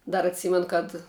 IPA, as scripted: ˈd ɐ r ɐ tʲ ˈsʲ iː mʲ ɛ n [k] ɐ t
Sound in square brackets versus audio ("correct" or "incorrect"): correct